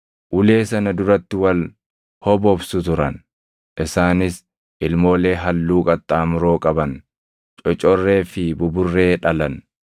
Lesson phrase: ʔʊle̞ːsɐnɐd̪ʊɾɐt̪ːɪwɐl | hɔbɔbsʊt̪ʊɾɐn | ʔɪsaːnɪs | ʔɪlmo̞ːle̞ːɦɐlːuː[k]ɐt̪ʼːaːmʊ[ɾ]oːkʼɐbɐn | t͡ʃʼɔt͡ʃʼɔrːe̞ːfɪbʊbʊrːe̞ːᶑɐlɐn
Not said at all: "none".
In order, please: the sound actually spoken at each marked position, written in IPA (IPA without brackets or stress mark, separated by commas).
kʼ, ɾ